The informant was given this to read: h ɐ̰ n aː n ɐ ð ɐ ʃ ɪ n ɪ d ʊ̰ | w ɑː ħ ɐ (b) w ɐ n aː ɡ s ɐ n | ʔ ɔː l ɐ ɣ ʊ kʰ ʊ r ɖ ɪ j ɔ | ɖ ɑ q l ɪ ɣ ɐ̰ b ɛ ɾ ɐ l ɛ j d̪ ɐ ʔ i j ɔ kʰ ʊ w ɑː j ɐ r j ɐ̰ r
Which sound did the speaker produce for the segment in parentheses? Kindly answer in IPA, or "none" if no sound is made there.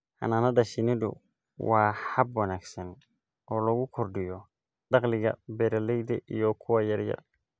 b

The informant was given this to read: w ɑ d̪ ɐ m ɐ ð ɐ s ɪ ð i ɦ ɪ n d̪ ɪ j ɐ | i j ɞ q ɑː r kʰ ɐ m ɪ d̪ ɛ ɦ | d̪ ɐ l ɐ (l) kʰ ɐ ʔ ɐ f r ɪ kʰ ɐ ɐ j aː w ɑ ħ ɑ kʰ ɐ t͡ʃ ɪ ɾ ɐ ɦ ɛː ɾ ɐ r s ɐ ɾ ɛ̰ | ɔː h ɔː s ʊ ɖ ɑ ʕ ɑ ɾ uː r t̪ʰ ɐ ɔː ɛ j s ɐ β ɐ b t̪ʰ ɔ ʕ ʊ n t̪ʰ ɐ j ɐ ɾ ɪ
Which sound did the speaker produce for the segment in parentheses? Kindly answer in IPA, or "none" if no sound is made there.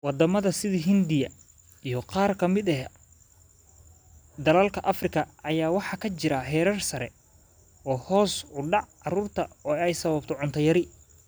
l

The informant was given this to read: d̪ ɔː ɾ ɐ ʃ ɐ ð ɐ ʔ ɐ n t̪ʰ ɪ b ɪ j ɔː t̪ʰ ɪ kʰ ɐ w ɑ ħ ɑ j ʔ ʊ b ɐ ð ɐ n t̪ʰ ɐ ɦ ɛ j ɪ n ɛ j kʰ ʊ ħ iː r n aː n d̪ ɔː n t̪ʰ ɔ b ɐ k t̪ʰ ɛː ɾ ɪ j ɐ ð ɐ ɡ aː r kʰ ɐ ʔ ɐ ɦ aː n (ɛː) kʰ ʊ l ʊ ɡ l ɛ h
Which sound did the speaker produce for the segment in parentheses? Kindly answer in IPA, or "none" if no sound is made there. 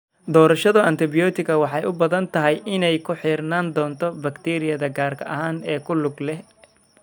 ɛː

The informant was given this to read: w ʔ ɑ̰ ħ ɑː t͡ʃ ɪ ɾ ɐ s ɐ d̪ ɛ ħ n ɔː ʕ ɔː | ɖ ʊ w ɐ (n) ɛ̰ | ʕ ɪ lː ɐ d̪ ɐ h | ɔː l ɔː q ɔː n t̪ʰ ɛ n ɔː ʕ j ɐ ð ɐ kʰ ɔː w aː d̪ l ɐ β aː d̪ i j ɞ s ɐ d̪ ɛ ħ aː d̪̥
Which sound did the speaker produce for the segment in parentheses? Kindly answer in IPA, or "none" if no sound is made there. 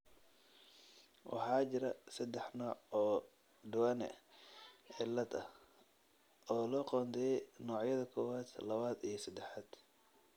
n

